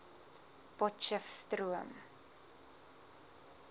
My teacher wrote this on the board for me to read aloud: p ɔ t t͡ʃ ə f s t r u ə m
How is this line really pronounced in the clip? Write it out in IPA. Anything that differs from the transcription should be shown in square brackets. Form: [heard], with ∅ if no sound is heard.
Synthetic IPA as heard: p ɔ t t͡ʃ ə f s t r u ə m